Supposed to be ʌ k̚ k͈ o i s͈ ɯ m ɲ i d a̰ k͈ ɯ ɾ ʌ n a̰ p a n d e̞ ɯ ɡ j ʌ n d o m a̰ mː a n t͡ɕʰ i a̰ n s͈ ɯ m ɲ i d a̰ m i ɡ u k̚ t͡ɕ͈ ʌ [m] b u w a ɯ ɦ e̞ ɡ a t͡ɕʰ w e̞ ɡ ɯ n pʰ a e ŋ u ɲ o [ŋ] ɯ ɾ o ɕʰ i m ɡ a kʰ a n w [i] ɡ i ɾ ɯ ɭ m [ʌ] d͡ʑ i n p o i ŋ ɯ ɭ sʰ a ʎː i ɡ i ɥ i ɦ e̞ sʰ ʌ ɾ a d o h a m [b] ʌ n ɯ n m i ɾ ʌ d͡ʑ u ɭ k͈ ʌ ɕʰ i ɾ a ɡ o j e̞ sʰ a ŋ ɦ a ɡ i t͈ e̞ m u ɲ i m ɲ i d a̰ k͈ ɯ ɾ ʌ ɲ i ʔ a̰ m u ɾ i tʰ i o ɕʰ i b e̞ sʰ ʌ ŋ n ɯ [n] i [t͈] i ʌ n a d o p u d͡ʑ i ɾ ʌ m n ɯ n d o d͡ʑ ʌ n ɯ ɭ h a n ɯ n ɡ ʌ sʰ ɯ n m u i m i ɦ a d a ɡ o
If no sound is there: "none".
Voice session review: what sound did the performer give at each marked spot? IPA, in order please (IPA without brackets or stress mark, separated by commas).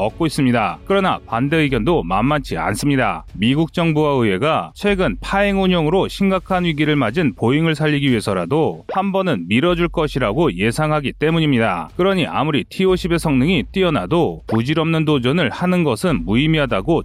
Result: ŋ, ŋ, i, a, b, ŋ, t͈